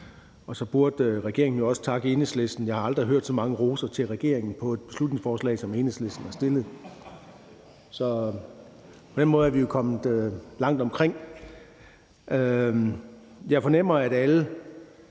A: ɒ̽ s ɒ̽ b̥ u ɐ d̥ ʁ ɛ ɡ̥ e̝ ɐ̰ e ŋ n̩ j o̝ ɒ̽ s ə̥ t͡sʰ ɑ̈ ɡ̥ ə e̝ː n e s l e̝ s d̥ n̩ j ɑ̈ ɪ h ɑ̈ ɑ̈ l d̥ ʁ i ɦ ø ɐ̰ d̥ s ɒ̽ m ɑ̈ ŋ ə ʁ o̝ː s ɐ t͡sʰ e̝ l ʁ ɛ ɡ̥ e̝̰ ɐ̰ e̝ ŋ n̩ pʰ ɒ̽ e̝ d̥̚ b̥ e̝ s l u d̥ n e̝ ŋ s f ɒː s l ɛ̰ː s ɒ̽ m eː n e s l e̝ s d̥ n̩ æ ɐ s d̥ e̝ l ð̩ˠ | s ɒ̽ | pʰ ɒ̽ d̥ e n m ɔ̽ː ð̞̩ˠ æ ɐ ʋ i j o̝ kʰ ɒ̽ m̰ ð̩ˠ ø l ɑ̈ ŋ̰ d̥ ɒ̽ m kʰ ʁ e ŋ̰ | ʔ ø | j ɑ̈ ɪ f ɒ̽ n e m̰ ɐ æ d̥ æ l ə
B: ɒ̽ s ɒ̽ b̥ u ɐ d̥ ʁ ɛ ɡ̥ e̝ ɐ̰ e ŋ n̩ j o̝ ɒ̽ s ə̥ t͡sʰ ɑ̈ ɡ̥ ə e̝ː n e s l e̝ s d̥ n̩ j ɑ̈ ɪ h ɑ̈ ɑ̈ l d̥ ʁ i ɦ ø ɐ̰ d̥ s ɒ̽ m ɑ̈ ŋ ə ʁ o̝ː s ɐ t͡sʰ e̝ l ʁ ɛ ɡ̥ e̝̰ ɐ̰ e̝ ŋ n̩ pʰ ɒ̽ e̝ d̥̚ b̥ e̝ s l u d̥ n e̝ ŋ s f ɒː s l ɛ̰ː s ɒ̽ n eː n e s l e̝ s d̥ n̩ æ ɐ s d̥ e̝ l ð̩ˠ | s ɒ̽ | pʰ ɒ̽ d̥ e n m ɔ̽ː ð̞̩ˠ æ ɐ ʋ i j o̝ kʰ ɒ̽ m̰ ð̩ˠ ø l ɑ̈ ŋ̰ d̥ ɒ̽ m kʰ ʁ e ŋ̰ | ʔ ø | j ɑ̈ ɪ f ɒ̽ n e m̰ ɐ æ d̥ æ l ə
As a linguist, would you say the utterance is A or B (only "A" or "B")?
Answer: A